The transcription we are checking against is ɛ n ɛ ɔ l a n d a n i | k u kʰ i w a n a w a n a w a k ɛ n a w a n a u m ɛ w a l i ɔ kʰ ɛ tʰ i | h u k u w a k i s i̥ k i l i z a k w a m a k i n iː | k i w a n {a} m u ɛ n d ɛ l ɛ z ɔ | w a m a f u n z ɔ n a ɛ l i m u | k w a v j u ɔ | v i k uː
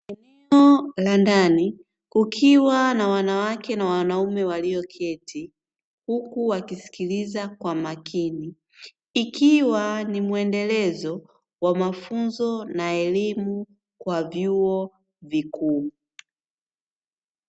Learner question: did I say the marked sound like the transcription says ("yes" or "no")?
no